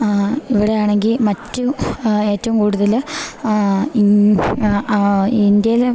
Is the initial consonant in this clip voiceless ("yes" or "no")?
no